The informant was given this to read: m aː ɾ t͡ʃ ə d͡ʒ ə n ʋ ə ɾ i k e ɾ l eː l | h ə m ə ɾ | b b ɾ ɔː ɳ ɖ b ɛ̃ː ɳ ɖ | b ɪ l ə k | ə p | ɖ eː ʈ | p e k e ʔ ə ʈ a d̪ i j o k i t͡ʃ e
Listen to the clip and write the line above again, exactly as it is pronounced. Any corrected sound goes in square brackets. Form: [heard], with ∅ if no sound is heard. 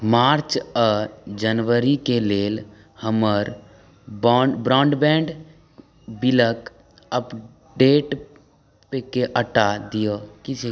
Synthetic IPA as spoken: m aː ɾ t͡ʃ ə d͡ʒ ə n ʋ ə ɾ i k e [∅] l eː l | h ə m ə ɾ | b b ɾ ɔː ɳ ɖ b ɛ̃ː ɳ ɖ | b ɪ l ə k | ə p | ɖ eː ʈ | p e k e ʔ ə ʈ a d̪ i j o k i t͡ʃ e